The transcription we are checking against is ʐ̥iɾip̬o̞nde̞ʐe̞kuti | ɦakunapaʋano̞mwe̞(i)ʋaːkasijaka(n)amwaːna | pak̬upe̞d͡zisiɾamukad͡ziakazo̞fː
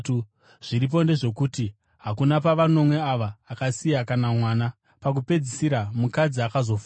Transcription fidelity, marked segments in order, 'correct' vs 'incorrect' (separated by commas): incorrect, correct